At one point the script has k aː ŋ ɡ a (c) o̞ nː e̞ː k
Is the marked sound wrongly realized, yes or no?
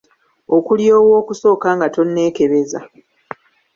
yes